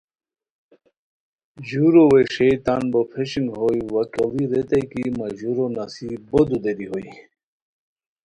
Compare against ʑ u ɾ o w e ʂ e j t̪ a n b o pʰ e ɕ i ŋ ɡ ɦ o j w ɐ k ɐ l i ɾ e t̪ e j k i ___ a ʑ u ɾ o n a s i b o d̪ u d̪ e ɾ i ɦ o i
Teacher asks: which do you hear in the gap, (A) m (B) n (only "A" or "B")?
A